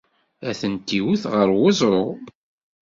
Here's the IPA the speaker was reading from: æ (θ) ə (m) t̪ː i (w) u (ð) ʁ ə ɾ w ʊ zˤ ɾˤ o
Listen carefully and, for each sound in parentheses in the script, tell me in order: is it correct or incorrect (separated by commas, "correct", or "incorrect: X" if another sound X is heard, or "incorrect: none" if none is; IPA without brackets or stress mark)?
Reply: correct, incorrect: n, correct, incorrect: θ